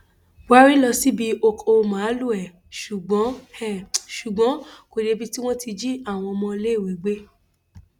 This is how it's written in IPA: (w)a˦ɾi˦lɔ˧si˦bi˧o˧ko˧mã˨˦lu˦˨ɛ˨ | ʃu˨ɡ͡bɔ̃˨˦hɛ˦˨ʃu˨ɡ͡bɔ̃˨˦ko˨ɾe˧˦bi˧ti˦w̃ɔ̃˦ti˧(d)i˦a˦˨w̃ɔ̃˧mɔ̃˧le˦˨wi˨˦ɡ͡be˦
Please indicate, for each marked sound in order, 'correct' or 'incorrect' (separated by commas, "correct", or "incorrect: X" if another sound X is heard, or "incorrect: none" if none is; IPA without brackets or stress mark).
correct, incorrect: d͡ʒ